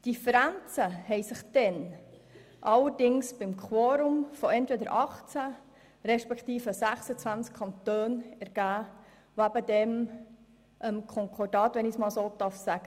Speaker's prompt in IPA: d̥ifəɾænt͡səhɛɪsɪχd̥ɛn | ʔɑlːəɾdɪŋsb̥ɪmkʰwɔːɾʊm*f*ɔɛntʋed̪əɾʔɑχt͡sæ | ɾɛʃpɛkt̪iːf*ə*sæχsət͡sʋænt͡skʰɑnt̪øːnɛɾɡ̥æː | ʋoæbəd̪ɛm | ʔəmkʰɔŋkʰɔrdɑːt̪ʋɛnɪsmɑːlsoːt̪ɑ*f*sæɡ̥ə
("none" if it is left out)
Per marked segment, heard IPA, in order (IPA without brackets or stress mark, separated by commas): f, ə, f